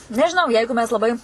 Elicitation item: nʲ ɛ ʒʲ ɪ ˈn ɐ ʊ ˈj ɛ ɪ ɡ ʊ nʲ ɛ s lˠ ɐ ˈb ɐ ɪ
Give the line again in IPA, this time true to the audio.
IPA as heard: nʲ ɛ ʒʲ ɪ ˈn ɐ ʊ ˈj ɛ ɪ ɡ ʊ mʲ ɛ s lˠ ɐ ˈb ɐ ɪ

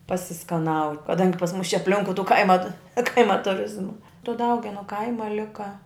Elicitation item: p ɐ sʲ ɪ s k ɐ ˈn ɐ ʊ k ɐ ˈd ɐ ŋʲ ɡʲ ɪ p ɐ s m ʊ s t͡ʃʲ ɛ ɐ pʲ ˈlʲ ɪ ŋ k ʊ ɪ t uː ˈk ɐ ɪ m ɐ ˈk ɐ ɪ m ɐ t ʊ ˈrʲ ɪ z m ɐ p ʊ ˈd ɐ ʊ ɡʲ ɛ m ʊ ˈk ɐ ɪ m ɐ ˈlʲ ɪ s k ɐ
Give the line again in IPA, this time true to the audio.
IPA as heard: p ɐ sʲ ɪ s k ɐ ˈn ɐ ʊ k ɐ ˈd ɐ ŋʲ ɡʲ ɪ p ɐ s m ʊ s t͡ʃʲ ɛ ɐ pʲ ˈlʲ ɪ ŋ k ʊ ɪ t uː ˈk ɐ ɪ m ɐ ˈk ɐ ɪ m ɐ t ʊ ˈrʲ ɪ z m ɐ t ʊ ˈd ɐ ʊ ɡʲ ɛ n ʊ ˈk ɐ ɪ m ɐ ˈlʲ ɪ k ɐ

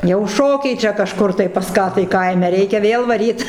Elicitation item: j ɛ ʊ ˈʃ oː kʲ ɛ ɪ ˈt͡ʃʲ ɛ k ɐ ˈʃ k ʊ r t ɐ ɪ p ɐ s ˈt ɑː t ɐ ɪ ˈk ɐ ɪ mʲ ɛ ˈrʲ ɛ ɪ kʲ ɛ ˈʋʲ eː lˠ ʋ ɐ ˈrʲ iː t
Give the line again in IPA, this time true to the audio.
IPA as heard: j ɛ ʊ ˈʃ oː kʲ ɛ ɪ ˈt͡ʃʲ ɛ k ɐ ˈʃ k ʊ r t ɐ ɪ p ɐ s ˈk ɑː t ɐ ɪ ˈk ɐ ɪ mʲ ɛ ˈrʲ ɛ ɪ kʲ ɛ ˈʋʲ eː lˠ ʋ ɐ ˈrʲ iː t

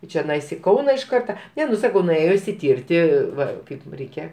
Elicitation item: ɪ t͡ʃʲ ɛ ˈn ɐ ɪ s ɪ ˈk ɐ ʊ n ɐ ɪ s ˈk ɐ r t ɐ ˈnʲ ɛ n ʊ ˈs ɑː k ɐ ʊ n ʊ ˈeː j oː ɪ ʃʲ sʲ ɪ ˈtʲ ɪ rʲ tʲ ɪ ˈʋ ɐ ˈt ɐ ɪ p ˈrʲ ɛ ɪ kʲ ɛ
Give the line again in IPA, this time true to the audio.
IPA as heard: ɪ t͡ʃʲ ɛ ˈn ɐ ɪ s ɪ ˈk ɐ ʊ n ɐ ɪ ʃ ˈk ɐ r t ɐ ˈnʲ ɛ n ʊ ˈs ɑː k ɐ ʊ n ʊ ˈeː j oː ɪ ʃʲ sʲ ɪ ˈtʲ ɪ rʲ tʲ ɪ ˈʋ ɐ ˈk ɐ ɪ p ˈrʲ ɛ ɪ kʲ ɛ

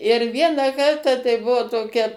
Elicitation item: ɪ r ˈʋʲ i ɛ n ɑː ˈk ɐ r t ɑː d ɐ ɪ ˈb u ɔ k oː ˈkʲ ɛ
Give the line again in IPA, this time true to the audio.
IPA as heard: ɪ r ˈʋʲ i ɛ n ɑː ˈk ɐ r t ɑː t ɐ ɪ ˈb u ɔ t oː ˈkʲ ɛ

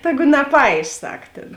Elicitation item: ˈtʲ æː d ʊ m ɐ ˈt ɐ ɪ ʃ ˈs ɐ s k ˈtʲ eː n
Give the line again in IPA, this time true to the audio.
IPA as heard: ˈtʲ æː ɡ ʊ n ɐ ˈp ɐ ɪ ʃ ˈs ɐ k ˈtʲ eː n

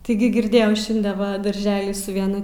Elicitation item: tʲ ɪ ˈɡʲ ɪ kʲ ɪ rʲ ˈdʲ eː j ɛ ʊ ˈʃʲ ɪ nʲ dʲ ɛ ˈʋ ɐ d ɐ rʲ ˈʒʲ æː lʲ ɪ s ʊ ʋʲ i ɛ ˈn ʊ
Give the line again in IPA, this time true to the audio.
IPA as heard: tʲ ɪ ˈɡʲ ɪ ɡʲ ɪ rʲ ˈdʲ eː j ɛ ʊ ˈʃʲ ɪ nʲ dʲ ɛ ˈʋ ɐ d ɐ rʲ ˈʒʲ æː lʲ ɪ s ʊ ʋʲ i ɛ ˈn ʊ

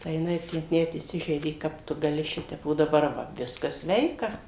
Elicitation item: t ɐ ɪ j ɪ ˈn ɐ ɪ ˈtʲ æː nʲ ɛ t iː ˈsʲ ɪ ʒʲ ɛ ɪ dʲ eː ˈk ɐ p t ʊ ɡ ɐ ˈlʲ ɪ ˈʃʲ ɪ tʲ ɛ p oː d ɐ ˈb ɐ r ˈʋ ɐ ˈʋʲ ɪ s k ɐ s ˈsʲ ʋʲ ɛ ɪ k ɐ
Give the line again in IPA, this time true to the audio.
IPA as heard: t ɐ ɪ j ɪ ˈn ɐ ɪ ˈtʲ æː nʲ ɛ t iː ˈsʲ ɪ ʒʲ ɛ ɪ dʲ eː ˈk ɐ p t ʊ ɡ ɐ ˈlʲ ɪ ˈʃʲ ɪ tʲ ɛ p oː d ɐ ˈb ɐ r ˈʋ ɐ ˈʋʲ ɪ s k ɐ s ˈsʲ ʋʲ ɛ ɪ k ɐ

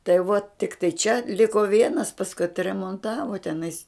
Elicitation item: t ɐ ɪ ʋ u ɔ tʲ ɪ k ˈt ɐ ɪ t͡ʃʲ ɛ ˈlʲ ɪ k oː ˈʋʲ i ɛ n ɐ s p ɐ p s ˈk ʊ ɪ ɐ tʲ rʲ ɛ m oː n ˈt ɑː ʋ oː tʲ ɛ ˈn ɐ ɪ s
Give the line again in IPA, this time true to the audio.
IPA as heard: t ɐ ɪ ʋ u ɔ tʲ ɪ k ˈt ɐ ɪ t͡ʃʲ ɛ ˈlʲ ɪ k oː ˈʋʲ i ɛ n ɐ s p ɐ s ˈk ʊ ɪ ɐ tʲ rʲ ɛ m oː n ˈt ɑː ʋ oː tʲ ɛ ˈn ɐ ɪ s

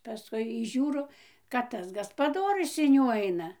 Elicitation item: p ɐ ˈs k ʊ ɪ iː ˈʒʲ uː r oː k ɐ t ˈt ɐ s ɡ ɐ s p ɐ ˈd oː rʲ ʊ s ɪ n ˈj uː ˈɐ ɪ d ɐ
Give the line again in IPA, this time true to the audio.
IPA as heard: p ɐ ˈs k ʊ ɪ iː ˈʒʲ uː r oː k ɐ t ˈt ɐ s ɡ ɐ s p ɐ ˈd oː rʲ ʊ s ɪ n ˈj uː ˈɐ ɪ n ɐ

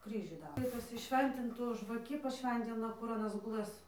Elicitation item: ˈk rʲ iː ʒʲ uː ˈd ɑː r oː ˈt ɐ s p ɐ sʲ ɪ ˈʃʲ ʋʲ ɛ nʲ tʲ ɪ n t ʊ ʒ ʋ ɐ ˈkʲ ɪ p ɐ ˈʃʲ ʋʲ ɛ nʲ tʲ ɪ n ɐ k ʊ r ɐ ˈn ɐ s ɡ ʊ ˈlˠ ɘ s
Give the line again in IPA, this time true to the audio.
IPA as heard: ˈk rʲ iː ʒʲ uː ˈd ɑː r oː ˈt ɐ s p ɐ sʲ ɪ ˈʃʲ ʋʲ ɛ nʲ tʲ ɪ n t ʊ ʒ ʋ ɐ ˈkʲ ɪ p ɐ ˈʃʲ ʋʲ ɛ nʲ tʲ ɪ n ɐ k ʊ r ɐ ˈn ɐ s ɡ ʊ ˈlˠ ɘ s

